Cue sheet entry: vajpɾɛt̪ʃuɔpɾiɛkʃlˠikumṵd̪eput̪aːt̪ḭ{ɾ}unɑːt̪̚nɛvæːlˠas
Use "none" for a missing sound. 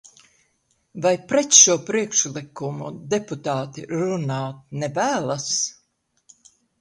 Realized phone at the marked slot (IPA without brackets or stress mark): ɾ